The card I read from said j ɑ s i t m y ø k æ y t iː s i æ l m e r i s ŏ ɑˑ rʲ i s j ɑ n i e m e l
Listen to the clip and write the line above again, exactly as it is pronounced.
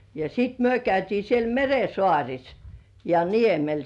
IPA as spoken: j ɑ s i t m y ø k æ y t iː s i e l m e r e s ŏ ɑˑ rʲ i s j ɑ n i e m e l